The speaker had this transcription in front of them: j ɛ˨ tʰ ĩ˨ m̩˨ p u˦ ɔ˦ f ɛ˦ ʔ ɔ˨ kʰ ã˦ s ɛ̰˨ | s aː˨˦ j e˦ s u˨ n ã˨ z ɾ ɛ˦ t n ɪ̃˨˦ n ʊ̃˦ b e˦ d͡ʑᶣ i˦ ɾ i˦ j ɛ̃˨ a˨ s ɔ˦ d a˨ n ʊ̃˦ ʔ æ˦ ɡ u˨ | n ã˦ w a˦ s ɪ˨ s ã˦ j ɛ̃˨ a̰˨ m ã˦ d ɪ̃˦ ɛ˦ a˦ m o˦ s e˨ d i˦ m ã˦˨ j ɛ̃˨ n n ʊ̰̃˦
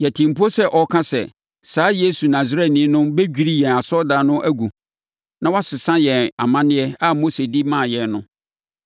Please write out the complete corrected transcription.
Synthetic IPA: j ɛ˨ tʰ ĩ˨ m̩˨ p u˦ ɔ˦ s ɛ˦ ʔ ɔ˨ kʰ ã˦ s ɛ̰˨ | s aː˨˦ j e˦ s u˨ n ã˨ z ɾ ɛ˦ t n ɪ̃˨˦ n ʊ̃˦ b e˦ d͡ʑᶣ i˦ ɾ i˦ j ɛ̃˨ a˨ s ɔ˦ d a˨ n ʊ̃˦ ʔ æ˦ ɡ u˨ | n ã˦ w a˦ s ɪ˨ s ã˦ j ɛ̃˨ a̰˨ m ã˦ n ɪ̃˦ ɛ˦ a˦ m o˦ s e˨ d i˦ m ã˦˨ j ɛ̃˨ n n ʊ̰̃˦